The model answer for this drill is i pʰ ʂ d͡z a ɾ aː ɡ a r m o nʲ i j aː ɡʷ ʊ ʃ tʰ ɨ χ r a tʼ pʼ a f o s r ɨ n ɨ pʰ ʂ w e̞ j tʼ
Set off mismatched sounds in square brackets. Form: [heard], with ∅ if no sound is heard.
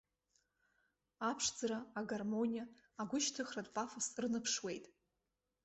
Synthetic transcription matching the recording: [a] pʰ ʂ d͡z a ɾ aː ɡ a r m o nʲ i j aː ɡʷ ʊ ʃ tʰ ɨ χ r a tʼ pʼ a f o s r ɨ n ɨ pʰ ʂ w e̞ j tʼ